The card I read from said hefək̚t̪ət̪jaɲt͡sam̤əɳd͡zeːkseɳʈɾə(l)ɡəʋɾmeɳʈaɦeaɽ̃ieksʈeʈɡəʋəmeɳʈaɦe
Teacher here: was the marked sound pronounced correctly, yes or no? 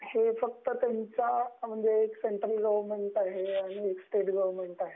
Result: yes